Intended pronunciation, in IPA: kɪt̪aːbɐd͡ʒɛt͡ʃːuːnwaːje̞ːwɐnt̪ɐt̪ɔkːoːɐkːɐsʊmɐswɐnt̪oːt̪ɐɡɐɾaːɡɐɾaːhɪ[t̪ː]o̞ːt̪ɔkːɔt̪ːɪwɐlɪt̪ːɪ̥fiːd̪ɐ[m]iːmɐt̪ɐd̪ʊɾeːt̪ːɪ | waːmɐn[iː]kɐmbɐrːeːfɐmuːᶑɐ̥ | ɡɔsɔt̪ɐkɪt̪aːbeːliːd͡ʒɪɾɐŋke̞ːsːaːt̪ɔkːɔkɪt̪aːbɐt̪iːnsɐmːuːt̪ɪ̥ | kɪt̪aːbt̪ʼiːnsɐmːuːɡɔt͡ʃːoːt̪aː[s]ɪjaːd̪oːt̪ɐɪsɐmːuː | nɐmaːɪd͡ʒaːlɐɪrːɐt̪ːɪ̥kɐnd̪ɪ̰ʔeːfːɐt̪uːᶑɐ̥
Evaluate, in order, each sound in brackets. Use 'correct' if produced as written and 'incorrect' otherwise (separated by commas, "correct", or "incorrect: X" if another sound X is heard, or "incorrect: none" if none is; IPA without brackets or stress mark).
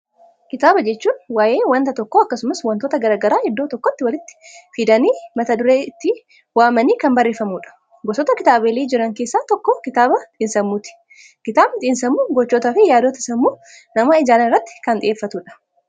incorrect: d̪ː, incorrect: n, correct, incorrect: f